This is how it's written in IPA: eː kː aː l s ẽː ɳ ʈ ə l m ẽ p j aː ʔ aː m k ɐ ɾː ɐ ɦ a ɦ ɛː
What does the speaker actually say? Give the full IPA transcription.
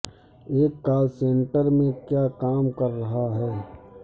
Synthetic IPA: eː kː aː l s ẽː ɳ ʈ ə ɾ m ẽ k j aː k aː m k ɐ ɾː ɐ ɦ a ɦ ɛː